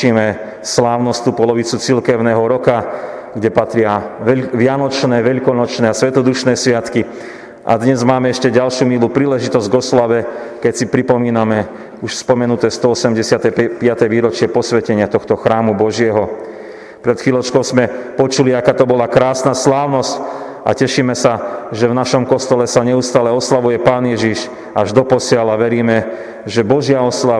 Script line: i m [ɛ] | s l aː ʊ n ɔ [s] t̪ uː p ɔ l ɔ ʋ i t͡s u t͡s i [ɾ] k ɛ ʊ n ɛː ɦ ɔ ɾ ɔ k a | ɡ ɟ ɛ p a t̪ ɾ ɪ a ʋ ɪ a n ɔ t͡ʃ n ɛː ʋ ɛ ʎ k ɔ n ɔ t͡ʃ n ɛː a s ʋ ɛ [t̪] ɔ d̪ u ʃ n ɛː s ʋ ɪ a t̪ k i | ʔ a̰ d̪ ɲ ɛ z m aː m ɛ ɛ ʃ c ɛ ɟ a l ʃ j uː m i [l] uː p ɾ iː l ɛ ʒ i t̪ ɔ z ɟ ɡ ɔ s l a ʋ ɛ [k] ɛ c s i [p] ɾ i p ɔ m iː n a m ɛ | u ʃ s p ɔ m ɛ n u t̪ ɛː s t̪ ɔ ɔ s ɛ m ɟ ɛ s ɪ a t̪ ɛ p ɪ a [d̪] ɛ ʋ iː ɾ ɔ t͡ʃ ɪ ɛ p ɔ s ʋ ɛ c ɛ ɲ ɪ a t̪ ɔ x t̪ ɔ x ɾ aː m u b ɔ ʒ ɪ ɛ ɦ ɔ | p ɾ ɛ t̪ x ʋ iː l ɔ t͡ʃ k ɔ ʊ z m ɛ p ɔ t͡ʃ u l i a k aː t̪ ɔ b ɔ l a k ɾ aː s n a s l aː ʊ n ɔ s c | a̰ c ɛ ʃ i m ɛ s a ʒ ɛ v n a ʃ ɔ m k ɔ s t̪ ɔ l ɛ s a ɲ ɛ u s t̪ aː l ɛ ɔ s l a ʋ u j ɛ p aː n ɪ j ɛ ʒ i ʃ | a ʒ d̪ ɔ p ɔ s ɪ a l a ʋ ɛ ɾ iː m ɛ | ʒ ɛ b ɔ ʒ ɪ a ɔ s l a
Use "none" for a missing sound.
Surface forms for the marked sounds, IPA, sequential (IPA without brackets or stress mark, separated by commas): ɛ, s, l, t̪, l, k, p, t̪